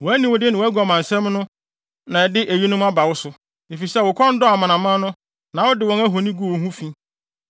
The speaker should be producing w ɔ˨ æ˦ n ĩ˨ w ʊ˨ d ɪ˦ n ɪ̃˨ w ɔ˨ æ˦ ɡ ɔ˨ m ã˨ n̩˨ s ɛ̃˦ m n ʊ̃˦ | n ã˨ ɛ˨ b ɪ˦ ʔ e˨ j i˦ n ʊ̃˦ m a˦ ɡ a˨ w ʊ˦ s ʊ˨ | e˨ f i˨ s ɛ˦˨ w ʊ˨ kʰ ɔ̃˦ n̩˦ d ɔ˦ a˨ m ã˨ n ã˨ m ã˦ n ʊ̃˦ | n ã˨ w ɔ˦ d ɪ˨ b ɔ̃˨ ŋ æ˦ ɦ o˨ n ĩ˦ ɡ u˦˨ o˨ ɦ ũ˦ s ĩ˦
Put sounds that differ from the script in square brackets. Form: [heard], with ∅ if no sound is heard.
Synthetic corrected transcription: w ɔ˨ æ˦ n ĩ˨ w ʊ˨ d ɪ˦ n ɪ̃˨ w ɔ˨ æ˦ ɡ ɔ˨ m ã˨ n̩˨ s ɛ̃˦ m n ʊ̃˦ | n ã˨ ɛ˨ [d] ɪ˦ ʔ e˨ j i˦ n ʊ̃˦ m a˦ [b] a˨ w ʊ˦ s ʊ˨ | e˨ f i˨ s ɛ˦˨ w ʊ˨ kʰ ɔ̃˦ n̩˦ d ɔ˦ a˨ m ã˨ n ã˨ m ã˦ n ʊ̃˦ | n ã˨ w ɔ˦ d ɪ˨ [w] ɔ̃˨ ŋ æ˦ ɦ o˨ n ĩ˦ ɡ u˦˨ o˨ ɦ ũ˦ [f] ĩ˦

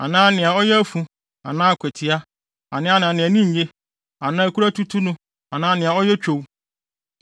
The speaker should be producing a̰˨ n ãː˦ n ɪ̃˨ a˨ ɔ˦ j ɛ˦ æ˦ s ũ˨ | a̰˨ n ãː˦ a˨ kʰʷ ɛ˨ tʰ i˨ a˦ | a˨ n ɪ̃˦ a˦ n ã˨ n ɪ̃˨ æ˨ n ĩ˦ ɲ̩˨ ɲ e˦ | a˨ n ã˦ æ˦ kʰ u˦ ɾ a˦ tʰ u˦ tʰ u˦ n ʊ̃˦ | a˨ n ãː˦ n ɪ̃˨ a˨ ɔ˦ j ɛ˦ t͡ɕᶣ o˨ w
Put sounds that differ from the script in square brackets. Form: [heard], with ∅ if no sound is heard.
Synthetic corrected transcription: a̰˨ n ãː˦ n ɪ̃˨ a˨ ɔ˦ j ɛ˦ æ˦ [f] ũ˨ | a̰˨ n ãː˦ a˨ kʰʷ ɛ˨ tʰ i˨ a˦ | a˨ n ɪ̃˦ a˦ n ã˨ n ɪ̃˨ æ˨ n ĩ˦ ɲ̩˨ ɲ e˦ | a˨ n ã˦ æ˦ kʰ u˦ ɾ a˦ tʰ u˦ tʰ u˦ n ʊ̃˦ | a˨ n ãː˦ n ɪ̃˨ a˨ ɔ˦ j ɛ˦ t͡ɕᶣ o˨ w

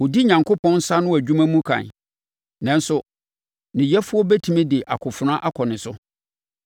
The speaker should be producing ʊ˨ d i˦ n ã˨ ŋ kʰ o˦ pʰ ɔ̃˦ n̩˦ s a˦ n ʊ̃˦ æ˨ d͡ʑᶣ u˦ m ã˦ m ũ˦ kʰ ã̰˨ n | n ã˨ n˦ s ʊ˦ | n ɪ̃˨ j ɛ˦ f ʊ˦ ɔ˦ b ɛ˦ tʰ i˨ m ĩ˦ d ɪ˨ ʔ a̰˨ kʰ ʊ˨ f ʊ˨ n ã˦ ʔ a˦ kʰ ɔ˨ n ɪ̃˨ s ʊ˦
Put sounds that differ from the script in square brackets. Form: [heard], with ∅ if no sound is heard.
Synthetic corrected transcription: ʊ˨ d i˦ [ɲ] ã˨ ŋ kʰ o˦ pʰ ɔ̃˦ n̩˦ s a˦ n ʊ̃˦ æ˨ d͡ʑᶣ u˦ m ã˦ m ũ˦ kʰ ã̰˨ n | n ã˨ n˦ s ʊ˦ | n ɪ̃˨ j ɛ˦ f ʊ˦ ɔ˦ b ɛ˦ tʰ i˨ m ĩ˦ d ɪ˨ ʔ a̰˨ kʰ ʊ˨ f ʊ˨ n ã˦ ʔ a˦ kʰ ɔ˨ n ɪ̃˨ s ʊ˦

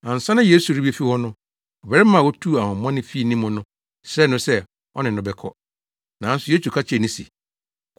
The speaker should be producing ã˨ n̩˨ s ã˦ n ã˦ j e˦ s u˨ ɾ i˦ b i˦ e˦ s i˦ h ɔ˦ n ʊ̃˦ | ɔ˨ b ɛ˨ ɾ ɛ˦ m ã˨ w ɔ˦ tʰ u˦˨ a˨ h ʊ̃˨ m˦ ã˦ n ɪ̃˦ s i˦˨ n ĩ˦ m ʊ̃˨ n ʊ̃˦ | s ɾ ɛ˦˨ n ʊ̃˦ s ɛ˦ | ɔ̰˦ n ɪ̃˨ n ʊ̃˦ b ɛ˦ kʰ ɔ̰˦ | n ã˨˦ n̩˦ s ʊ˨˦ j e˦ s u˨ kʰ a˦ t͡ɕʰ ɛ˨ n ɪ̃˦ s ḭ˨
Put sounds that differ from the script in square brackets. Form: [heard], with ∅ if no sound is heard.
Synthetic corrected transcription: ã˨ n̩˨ s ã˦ n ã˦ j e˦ s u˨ ɾ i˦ b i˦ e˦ [f] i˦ h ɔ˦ n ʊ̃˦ | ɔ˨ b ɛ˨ ɾ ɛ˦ m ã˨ w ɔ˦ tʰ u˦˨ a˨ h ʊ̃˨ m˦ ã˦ n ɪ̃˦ [f] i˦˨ n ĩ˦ m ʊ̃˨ n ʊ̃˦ | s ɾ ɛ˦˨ n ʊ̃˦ s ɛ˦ | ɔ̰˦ n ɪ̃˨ n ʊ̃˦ b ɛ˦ kʰ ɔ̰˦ | n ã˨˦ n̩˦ s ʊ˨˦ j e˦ s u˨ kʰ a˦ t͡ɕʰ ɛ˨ n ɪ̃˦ s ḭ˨

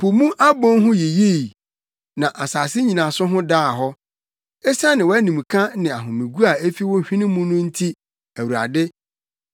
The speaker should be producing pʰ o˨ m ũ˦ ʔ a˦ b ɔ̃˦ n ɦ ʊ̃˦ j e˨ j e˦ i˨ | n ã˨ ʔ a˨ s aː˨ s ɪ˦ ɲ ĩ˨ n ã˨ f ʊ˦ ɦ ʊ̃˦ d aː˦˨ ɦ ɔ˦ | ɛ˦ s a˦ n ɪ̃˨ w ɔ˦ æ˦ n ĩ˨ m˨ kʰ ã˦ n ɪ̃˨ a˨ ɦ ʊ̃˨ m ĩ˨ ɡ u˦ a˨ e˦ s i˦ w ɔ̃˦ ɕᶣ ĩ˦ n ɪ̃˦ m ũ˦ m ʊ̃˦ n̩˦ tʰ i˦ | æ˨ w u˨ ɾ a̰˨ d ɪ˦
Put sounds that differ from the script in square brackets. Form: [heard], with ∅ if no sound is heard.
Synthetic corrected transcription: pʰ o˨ m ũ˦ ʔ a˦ b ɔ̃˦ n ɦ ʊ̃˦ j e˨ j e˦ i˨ | n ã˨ ʔ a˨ s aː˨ s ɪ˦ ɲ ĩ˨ n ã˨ [s] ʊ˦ ɦ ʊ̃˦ d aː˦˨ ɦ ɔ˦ | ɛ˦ s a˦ n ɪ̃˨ w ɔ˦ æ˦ n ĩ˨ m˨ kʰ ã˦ n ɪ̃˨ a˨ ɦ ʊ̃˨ m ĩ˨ ɡ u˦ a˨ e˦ [f] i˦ w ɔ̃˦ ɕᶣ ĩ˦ n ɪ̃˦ m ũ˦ [n] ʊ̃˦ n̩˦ tʰ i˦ | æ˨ w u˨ ɾ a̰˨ d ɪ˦

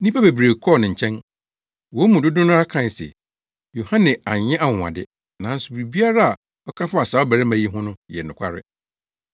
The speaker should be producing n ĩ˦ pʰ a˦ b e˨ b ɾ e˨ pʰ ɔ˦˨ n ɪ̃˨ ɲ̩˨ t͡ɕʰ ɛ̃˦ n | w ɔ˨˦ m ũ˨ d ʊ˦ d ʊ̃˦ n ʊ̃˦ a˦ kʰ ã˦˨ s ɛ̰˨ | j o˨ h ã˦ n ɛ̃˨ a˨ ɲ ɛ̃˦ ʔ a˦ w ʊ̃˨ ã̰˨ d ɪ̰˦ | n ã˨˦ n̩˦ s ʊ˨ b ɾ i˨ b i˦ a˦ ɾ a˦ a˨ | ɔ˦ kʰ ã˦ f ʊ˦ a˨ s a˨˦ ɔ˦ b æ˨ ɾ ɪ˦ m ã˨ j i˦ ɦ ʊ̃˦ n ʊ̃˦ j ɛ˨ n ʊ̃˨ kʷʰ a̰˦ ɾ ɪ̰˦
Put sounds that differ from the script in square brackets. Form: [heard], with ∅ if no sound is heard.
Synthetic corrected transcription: n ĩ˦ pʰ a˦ b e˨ b ɾ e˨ [kʰ] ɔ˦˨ n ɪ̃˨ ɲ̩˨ t͡ɕʰ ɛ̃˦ n | w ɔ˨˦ m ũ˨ d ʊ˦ d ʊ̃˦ n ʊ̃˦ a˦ kʰ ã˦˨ s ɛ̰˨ | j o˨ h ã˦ n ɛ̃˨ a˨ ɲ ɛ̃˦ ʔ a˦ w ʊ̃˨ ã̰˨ d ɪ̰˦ | n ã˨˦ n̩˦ s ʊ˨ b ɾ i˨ b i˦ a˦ ɾ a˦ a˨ | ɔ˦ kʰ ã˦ f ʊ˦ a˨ s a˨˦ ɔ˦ b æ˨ ɾ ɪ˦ m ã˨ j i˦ ɦ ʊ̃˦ n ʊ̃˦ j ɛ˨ n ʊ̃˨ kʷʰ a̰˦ ɾ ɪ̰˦

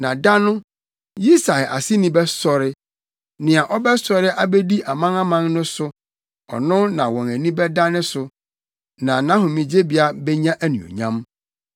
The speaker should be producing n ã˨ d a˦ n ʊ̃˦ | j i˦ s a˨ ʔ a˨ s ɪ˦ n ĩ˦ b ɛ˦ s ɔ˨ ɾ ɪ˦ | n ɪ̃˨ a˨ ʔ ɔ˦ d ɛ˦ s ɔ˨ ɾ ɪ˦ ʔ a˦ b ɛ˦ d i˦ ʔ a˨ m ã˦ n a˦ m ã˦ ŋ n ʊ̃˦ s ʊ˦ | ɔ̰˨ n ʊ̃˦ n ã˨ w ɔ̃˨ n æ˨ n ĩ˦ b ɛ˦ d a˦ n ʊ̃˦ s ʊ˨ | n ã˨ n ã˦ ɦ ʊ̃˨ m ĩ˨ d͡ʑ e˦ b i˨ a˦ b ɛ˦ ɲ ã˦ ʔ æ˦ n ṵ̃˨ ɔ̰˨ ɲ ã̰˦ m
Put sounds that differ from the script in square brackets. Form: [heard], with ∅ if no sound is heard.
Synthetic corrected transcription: n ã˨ d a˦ n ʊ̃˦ | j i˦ s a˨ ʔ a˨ s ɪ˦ n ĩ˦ b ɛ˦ s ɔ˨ ɾ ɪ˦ | n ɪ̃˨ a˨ ʔ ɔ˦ [b] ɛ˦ s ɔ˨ ɾ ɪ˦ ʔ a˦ b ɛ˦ d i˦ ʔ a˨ m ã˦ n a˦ m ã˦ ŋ n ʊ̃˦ s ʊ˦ | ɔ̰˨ n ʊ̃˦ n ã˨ w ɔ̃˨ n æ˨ n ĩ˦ b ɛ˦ d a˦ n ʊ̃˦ s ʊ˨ | n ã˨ n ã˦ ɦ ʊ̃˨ m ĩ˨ d͡ʑ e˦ b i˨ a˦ b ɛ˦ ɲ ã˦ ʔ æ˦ n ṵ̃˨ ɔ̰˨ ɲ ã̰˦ m

